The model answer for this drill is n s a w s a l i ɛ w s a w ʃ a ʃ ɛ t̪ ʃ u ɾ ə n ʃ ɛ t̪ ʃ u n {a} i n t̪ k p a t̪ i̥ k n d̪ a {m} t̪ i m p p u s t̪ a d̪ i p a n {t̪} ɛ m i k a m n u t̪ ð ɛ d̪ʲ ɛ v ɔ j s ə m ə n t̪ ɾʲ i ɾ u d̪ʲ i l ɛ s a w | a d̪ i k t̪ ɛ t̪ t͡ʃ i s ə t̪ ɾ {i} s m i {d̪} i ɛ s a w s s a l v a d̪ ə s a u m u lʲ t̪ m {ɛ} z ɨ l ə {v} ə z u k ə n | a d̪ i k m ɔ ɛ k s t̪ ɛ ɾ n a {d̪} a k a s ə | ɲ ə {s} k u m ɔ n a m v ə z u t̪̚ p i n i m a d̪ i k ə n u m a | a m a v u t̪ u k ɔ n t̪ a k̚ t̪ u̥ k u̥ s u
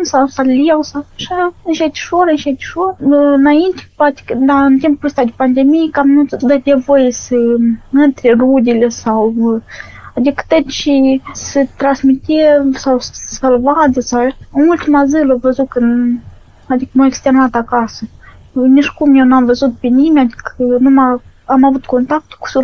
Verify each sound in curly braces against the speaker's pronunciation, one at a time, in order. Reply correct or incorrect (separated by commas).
correct, incorrect, incorrect, incorrect, incorrect, incorrect, correct, incorrect, incorrect